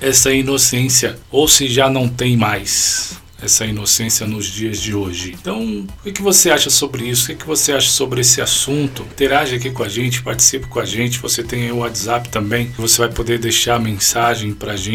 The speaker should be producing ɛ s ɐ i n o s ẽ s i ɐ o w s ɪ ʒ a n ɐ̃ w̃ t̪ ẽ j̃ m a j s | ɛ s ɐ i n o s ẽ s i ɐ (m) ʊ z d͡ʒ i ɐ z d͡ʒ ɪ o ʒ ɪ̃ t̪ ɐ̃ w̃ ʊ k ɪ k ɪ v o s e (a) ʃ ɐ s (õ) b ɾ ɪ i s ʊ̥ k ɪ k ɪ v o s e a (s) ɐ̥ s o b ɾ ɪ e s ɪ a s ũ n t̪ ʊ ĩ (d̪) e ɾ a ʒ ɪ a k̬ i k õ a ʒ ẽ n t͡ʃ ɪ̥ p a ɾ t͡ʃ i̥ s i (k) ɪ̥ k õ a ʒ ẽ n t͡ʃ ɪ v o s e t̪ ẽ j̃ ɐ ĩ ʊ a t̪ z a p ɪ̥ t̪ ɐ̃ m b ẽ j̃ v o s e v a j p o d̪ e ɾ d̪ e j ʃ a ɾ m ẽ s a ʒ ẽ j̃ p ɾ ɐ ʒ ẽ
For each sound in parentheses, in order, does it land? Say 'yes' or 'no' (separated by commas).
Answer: no, yes, no, no, no, no